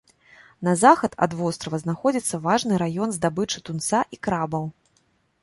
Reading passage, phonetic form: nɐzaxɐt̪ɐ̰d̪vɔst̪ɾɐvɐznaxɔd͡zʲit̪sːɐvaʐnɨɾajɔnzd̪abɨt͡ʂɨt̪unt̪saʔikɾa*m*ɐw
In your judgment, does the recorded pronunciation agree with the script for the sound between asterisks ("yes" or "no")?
no